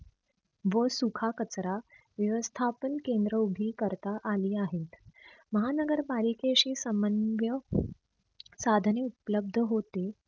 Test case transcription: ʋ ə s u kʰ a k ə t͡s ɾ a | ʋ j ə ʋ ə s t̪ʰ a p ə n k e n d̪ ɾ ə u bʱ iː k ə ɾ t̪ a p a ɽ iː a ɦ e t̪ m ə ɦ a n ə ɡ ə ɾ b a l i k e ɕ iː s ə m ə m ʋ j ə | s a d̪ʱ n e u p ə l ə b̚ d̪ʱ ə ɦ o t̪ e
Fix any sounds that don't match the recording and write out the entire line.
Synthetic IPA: ʋ ə s u kʰ a k ə t͡s ɾ a | ʋ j ə ʋ ə s t̪ʰ a p ə n k e n d̪ ɾ ə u bʱ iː k ə ɾ t̪ a ʔ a l iː a ɦ e t̪ m ə ɦ a n ə ɡ ə ɾ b a l i k e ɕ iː s ə m ə n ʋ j ə | s a d̪ʱ n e u p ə l ə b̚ d̪ʱ ə ɦ o t̪ e